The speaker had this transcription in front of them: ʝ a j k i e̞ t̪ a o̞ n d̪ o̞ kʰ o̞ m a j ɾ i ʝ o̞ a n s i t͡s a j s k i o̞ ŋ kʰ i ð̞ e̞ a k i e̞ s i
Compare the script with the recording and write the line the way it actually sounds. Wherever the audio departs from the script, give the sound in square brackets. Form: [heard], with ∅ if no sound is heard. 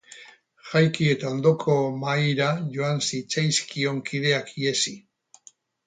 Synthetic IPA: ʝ a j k i e̞ t̪ a o̞ n d̪ o̞ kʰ o̞ m a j ɾ [a] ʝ o̞ a n s i t͡s a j s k i o̞ ŋ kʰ i ð̞ e̞ a k i e̞ s i